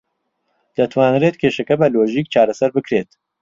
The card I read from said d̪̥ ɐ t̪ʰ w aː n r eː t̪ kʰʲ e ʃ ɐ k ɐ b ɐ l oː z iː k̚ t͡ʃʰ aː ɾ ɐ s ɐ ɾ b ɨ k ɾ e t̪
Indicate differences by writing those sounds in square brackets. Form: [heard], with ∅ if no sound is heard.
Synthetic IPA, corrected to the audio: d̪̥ ɐ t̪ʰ w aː n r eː t̪ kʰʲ e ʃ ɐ k ɐ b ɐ l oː [ʒ] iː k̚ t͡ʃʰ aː ɾ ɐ s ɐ ɾ b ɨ k ɾ e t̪